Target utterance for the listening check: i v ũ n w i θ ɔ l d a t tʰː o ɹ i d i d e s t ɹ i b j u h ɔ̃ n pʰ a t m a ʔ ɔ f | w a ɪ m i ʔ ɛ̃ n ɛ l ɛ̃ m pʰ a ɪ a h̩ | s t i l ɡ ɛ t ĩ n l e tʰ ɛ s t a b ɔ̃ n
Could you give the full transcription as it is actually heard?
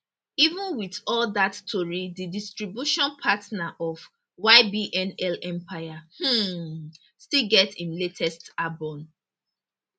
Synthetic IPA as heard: i v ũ n w i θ ɔ l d a t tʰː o ɹ i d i d i s t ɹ i b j u ʃ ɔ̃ n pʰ a t n a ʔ ɔ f | w a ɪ b i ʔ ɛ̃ n ɛ l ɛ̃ m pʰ a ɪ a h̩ | s t i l ɡ ɛ t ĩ n l e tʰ ɛ s t a b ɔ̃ n